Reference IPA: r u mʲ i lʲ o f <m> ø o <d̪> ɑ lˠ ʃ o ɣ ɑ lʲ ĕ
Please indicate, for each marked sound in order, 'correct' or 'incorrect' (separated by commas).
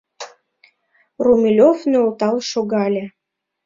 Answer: incorrect, incorrect